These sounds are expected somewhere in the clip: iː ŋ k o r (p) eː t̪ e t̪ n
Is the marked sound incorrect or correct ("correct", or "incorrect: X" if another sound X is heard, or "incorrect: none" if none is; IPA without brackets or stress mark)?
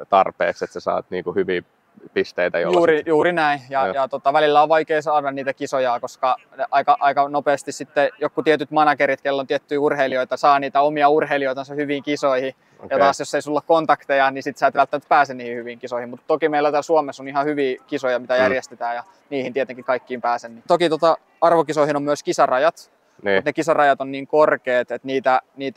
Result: incorrect: k